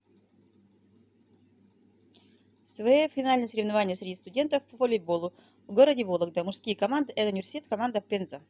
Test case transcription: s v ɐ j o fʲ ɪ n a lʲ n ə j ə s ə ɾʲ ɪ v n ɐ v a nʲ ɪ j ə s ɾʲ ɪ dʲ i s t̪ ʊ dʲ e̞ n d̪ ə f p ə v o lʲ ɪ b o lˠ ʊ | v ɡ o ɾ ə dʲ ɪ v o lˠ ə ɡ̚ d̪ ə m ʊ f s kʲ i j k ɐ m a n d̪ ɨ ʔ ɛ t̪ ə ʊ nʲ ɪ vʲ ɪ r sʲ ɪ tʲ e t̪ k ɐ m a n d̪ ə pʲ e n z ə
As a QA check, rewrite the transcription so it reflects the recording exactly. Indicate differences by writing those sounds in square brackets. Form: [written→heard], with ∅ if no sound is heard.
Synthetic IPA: s v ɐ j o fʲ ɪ n a lʲ n ə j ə s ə ɾʲ ɪ v n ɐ v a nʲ ɪ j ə s ɾʲ ɪ dʲ i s t̪ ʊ dʲ e̞ n [d̪→t̪] ə f p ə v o lʲ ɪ b o lˠ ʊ | v ɡ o ɾ ə dʲ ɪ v o lˠ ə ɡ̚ d̪ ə m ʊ [f→ʂ] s kʲ i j k ɐ m a n d̪ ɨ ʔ ɛ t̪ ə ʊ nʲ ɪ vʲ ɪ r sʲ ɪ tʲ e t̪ k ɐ m a n d̪ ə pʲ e n z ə